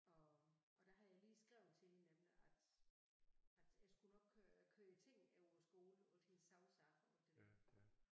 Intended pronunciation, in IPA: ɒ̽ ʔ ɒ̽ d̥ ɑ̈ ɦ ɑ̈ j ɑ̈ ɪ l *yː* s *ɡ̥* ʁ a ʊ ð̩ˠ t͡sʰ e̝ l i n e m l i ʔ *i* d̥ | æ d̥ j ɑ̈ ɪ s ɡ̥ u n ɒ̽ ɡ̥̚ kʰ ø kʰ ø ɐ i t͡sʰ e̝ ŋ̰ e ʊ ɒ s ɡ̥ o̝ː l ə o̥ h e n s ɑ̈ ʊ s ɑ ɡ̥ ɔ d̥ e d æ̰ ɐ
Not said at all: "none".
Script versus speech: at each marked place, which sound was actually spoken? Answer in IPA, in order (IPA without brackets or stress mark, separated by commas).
iː, ɡ̥, æ